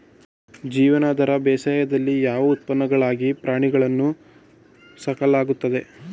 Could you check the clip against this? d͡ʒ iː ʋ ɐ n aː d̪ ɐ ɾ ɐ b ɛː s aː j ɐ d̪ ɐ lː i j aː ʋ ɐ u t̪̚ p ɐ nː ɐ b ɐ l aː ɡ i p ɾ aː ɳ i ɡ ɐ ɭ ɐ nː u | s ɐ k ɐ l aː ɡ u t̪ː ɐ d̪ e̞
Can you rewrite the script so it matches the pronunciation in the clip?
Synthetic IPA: d͡ʒ iː ʋ ɐ n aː d̪ ɐ ɾ ɐ b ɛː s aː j ɐ d̪ ɐ lː i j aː ʋ ɐ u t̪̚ p ɐ nː ɐ ɡ ɐ ɭ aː ɡ i p ɾ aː ɳ i ɡ ɐ ɭ ɐ nː u | s ɐ k ɐ l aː ɡ u t̪ː ɐ d̪ e̞

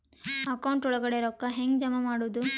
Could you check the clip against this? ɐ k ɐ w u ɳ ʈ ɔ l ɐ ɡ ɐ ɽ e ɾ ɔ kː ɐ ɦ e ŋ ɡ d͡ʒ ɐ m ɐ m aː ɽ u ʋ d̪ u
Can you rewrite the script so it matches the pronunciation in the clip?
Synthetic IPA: ɐ k ɐ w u ɳ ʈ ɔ ɭ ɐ ɡ ɐ ɽ e ɾ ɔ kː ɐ ɦ e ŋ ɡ d͡ʒ ɐ m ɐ m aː ɽ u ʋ d̪ u

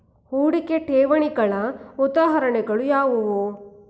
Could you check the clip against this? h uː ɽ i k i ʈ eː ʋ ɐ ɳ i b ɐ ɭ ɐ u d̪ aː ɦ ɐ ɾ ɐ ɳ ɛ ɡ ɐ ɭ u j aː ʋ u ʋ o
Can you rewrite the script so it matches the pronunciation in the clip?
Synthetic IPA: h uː ɽ i k e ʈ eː ʋ ɐ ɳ i ɡ ɐ ɭ ɐ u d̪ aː ɦ ɐ ɾ ɐ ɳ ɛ ɡ ɐ ɭ u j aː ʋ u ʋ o

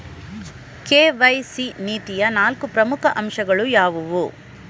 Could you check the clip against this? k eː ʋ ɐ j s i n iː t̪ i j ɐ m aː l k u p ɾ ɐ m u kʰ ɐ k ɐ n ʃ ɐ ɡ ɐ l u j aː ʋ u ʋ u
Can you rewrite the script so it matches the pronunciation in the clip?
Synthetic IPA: k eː ʋ ɐ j s i n iː t̪ i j ɐ n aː l k u p ɾ ɐ m u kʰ ɐ ʔ ɐ m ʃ ɐ ɡ ɐ ɭ u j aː ʋ u ʋ u

